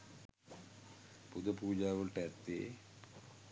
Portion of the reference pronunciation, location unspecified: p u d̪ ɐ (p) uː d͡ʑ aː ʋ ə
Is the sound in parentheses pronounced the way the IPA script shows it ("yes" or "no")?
yes